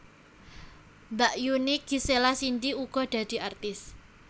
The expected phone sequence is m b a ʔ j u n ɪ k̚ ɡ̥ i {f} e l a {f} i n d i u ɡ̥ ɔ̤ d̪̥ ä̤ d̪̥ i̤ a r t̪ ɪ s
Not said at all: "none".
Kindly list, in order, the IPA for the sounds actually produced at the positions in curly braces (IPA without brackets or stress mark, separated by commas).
s, s